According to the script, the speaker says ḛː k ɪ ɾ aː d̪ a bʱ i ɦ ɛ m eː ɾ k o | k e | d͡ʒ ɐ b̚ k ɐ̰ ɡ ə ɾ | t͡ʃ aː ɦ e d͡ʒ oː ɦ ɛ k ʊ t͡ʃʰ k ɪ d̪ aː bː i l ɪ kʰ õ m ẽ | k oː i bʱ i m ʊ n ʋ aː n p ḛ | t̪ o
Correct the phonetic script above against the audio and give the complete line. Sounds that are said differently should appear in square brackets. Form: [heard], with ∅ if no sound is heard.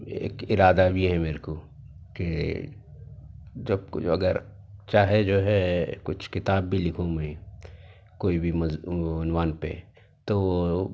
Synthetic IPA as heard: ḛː k ɪ ɾ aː d̪ a bʱ i ɦ ɛ m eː ɾ k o | k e | d͡ʒ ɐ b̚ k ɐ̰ ɡ ə ɾ | t͡ʃ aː ɦ e d͡ʒ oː ɦ ɛ k ʊ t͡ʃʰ k ɪ [t̪] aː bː i l ɪ kʰ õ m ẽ | k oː i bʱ i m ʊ n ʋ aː n p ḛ | t̪ o